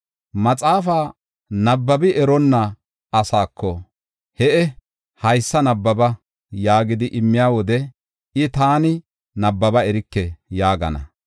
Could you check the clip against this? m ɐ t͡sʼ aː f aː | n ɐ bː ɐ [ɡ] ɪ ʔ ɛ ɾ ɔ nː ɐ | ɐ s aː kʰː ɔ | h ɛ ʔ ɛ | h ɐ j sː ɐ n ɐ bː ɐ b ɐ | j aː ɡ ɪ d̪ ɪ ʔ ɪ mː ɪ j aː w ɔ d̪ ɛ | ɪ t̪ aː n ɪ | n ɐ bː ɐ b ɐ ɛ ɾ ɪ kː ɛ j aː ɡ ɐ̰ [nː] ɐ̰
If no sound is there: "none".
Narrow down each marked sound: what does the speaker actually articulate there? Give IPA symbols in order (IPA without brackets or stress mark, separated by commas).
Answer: b, n